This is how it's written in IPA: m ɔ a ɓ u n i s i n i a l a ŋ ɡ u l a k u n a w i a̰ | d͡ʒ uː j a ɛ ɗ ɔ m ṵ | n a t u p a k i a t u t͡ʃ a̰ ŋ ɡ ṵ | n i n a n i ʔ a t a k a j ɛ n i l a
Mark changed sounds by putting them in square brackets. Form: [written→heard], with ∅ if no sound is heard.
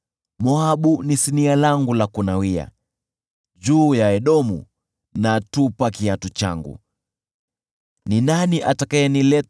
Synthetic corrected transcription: m ɔ a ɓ u n i s i n i a l a ŋ ɡ u l a k u n a w i a̰ | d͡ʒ uː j a ɛ ɗ ɔ m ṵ | n a t u p a k i a t u t͡ʃ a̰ ŋ ɡ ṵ | n i n a n i ʔ a t a k a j ɛ n i l [a→ɛ]

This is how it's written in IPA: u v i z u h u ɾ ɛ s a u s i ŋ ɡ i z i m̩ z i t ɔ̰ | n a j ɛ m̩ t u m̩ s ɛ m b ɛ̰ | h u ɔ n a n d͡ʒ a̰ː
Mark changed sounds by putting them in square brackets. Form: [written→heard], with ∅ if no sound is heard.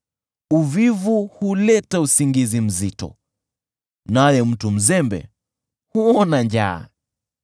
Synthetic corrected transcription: u v i [z→v] u h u [ɾ→l] ɛ [s→t] a u s i ŋ ɡ i z i m̩ z i t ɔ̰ | n a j ɛ m̩ t u m̩ [s→z] ɛ m b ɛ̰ | h u ɔ n a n d͡ʒ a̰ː

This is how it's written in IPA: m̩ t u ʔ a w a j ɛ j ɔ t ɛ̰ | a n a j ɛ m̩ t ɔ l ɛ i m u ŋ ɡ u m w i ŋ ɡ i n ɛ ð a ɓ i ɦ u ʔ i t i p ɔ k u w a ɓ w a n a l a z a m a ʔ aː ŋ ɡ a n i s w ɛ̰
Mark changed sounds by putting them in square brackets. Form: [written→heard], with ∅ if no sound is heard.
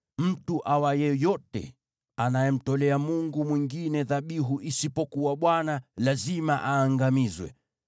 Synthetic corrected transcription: m̩ t u ʔ a w a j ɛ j ɔ t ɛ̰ | a n a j ɛ m̩ t ɔ l ɛ [i→a] m u ŋ ɡ u m w i ŋ ɡ i n ɛ ð a ɓ i ɦ u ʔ i [t→s] i p ɔ k u w a ɓ w a n a l a z [a→i] m a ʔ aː ŋ ɡ a [n→m] i [s→z] w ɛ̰

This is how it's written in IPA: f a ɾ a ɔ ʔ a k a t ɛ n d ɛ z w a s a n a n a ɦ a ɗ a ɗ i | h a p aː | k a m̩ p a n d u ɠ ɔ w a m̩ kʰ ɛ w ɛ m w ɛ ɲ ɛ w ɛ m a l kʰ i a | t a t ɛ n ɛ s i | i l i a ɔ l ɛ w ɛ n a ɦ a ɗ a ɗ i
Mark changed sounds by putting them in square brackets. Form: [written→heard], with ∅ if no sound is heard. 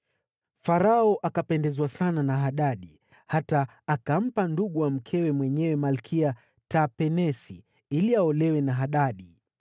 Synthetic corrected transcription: f a ɾ a ɔ ʔ a k a [t→p] ɛ n d ɛ z w a s a n a n a ɦ a ɗ a ɗ i | h a [p→t] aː | k a m̩ p a n d u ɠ [ɔ→u] w a m̩ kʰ ɛ w ɛ m w ɛ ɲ ɛ w ɛ m a l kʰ i a | t a [t→p] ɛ n ɛ s i | i l i a ɔ l ɛ w ɛ n a ɦ a ɗ a ɗ i

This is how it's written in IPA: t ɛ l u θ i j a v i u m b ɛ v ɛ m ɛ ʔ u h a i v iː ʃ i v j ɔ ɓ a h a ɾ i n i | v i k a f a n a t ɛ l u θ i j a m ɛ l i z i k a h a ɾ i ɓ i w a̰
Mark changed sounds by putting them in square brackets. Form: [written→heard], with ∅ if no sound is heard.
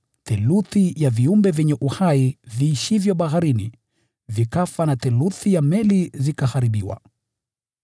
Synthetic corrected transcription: t ɛ l u θ i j a v i u m b ɛ v ɛ [m→ɲ] ɛ ʔ u h a i v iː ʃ i v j ɔ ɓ a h a ɾ i n i | v i k a f a n a t ɛ l u θ i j a m ɛ l i z i k a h a ɾ i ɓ i w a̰

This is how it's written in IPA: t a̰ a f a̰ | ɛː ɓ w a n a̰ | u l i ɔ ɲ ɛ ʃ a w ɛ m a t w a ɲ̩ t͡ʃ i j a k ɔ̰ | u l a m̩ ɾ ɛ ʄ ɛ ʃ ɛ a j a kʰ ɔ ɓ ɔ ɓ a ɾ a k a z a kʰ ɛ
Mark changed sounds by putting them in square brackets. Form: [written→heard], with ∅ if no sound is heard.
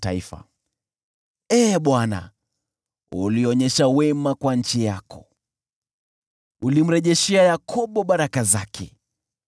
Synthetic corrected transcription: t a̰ [a→i] f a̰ | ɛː ɓ w a n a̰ | u l i ɔ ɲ ɛ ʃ a w ɛ m a [t→k] w a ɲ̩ t͡ʃ i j a k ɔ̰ | u l [a→i] m̩ ɾ ɛ ʄ ɛ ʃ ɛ a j a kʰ ɔ ɓ ɔ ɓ a ɾ a k a z a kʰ ɛ

